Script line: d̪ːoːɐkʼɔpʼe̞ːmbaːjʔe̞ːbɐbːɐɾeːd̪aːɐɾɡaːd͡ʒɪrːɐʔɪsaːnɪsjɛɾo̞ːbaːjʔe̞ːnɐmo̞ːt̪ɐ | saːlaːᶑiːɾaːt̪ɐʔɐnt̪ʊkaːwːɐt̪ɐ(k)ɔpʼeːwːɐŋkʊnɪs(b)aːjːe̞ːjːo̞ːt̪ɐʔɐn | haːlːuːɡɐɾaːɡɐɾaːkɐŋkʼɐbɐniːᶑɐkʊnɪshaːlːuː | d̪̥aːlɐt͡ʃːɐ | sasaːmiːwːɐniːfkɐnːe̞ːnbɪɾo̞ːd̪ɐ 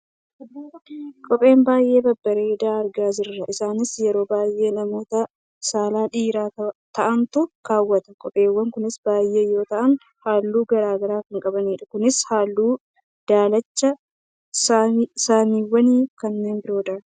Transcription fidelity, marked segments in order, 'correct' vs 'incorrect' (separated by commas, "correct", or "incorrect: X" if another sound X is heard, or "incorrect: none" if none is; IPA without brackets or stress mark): incorrect: kʼ, correct